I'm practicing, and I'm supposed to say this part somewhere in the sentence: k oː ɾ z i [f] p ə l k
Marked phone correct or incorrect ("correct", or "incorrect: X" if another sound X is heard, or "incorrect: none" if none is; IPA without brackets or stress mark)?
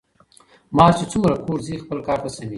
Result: incorrect: x